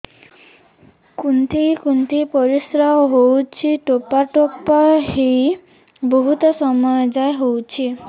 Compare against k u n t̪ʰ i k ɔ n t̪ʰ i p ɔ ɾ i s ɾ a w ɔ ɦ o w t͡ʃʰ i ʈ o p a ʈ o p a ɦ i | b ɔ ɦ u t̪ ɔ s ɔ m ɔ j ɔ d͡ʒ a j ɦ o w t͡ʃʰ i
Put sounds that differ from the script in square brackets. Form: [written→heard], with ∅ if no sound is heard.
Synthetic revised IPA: k u n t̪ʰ i k [ɔ→u] n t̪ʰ i p ɔ ɾ i s ɾ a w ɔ ɦ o w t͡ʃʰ i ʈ o p a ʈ o p a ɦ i | b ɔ ɦ u t̪ ɔ s ɔ m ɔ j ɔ d͡ʒ a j ɦ o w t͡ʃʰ i